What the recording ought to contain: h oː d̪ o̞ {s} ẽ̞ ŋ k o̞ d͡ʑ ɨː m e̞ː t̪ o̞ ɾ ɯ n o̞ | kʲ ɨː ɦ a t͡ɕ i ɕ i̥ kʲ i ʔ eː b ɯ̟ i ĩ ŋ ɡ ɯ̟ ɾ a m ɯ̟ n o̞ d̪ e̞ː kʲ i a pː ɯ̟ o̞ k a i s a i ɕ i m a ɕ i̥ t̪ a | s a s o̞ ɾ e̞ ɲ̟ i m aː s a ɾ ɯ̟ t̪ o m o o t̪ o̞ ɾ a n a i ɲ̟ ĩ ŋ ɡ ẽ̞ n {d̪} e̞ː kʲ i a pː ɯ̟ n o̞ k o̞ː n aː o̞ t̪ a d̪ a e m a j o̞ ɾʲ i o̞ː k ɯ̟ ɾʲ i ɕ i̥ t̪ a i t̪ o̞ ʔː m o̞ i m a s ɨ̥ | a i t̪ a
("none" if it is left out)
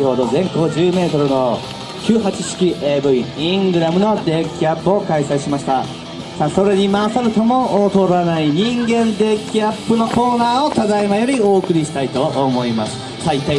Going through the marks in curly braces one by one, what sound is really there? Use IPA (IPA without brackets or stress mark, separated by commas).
z, d̪